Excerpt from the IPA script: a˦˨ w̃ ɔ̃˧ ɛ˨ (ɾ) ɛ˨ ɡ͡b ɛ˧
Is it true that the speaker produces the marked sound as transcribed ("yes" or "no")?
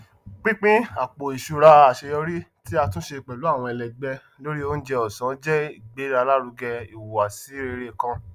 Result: no